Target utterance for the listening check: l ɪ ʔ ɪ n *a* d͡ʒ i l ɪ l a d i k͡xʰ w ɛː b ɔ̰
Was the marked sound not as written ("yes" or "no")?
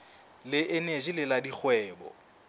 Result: yes